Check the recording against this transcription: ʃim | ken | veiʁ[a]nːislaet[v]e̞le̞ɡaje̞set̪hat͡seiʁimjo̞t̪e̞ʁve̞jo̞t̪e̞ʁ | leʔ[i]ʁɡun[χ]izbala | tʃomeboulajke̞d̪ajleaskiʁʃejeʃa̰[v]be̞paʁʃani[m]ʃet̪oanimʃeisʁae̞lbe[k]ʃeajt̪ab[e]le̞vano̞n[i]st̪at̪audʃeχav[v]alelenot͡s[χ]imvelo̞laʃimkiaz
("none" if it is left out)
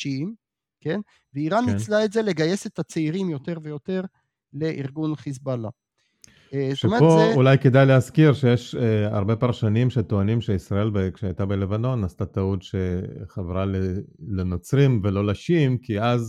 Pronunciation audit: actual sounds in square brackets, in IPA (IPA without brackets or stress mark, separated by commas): a, z, i, χ, ʁ, m, k, e, a, ʁ, ʁ